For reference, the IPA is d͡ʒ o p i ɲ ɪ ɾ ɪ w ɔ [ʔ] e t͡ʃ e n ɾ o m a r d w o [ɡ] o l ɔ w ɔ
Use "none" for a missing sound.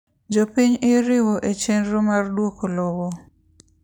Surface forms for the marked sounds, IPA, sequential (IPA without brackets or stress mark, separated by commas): ʔ, k